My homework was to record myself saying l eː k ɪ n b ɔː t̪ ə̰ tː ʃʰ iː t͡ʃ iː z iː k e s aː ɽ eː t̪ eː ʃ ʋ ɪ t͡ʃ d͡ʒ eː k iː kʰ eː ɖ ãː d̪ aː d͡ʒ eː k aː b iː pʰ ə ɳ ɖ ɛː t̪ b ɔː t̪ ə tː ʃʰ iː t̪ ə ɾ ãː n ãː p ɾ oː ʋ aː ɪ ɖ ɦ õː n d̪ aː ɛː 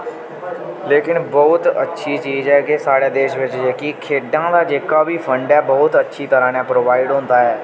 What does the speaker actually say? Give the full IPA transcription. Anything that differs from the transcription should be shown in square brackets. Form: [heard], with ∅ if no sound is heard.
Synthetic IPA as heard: l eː k ɪ n b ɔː t̪ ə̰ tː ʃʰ iː t͡ʃ iː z [ɛː] k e s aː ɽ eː [d̪] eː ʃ ʋ ɪ t͡ʃ d͡ʒ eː k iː kʰ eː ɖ ãː d̪ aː d͡ʒ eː k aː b iː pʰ ə ɳ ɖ ɛː [∅] b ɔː t̪ ə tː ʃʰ iː t̪ ə ɾ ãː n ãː p ɾ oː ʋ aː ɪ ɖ ɦ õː n d̪ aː ɛː

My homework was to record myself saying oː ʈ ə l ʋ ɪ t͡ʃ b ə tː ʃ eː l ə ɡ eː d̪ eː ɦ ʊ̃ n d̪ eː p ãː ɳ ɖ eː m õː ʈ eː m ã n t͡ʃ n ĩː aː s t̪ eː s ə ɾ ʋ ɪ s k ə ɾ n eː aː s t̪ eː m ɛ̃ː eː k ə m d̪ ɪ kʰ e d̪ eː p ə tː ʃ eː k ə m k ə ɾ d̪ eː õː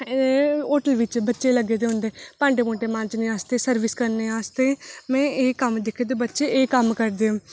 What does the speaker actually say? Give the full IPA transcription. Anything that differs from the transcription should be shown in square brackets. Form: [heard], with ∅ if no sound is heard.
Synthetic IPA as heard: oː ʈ ə l ʋ ɪ t͡ʃ b ə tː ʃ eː l ə ɡ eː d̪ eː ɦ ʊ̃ n d̪ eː p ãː ɳ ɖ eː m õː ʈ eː m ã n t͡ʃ n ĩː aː s t̪ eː s ə ɾ ʋ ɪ s k ə ɾ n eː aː s t̪ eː m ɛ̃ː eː k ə m d̪ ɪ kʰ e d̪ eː [b] ə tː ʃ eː k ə m k ə ɾ d̪ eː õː

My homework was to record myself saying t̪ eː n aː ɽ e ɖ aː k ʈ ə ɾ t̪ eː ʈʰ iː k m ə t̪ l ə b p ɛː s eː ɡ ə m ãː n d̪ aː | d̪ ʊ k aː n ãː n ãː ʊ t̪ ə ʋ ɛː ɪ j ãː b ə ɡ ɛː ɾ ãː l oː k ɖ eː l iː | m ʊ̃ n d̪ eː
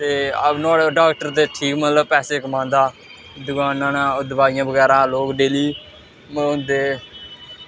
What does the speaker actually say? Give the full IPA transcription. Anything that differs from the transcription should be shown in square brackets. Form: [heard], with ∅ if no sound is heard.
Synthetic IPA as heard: t̪ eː n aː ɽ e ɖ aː k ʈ ə ɾ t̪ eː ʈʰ iː k m ə t̪ l ə b p ɛː s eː [k] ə m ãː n d̪ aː | d̪ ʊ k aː n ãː n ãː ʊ [d̪] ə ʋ [aː] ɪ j ãː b ə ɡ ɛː ɾ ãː l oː k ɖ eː l iː | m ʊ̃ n d̪ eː

